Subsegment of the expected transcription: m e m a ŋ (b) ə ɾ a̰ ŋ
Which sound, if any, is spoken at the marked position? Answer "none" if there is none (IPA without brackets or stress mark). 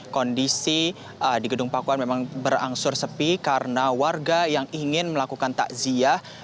b